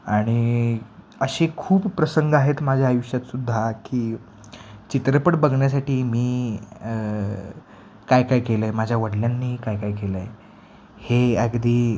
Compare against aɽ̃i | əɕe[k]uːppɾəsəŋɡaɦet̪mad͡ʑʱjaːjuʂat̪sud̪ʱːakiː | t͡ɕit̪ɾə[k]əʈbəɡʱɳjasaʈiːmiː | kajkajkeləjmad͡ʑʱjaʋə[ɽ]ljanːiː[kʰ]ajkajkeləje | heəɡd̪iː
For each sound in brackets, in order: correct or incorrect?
incorrect, incorrect, correct, incorrect

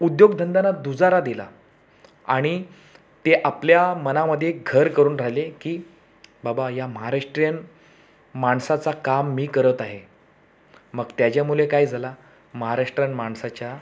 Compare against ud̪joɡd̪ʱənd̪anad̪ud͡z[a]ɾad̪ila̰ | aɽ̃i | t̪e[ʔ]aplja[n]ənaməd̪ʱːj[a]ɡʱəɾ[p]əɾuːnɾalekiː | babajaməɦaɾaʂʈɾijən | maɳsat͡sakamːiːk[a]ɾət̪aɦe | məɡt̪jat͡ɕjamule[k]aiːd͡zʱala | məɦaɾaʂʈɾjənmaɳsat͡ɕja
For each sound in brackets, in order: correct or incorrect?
correct, correct, incorrect, incorrect, incorrect, incorrect, correct

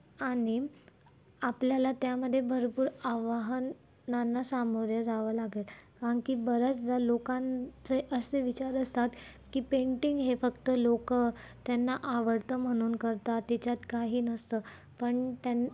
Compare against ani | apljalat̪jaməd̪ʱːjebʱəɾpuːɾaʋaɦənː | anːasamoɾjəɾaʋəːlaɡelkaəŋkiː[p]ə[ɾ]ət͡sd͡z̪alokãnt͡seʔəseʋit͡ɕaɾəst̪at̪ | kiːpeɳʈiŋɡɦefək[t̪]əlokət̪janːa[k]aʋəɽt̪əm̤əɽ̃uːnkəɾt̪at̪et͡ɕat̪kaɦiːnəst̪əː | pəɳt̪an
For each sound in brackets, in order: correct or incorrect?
incorrect, correct, correct, incorrect

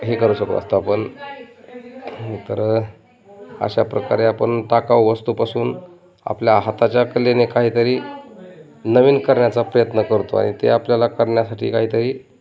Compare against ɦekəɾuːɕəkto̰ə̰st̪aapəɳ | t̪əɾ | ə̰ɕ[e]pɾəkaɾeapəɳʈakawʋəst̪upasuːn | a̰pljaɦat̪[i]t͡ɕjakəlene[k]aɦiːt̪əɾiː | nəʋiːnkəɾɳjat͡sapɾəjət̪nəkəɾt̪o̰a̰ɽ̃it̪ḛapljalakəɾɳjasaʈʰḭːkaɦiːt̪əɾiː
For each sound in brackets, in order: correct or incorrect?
incorrect, incorrect, correct

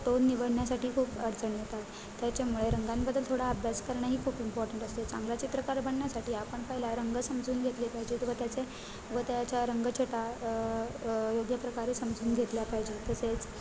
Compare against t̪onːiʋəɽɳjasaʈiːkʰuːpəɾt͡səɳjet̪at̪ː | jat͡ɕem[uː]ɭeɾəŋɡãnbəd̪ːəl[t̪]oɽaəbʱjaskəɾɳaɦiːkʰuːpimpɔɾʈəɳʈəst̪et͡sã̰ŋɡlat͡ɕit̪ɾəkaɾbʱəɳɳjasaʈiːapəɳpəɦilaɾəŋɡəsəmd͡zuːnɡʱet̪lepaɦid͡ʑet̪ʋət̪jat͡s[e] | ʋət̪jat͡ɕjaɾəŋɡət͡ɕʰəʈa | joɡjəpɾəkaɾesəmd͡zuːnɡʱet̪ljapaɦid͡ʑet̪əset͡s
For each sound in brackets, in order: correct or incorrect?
incorrect, incorrect, correct

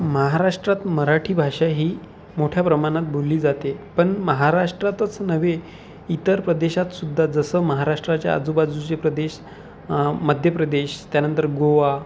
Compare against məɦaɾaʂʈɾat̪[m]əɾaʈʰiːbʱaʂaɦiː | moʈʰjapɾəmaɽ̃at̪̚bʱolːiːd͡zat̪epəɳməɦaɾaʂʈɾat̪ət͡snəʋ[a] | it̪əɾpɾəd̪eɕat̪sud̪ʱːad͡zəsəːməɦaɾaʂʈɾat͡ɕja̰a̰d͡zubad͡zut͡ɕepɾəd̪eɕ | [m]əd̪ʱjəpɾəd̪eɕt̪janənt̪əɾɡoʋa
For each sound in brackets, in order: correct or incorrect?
correct, incorrect, correct

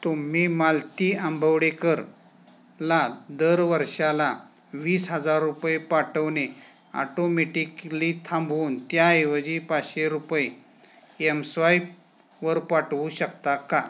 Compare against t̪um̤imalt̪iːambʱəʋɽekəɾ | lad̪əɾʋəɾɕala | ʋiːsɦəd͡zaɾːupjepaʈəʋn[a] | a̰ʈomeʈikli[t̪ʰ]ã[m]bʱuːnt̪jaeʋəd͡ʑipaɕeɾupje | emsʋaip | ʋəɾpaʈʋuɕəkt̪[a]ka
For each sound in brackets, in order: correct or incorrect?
incorrect, correct, correct, correct

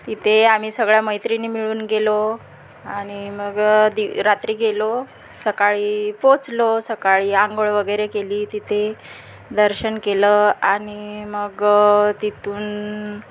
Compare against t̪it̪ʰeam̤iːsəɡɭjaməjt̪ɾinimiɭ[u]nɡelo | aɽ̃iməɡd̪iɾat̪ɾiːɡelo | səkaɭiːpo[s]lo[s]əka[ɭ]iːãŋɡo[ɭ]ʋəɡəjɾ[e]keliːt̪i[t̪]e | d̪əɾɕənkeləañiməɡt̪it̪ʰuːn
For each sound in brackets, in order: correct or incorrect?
incorrect, incorrect, correct, correct, correct, correct, incorrect

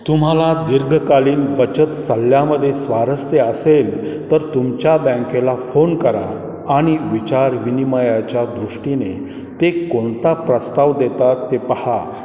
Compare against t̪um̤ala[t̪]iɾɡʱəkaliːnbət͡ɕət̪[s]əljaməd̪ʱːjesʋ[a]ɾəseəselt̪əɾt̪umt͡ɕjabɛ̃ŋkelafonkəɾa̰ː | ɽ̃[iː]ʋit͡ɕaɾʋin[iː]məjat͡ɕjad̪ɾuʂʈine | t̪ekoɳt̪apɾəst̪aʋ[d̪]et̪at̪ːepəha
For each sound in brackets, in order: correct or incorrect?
incorrect, correct, correct, incorrect, incorrect, correct

